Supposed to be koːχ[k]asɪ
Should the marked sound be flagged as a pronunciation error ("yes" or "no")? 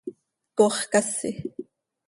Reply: no